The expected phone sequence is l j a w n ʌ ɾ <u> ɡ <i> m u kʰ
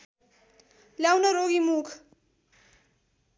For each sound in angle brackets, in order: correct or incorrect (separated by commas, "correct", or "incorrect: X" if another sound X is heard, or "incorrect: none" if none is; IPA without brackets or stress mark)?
incorrect: o, correct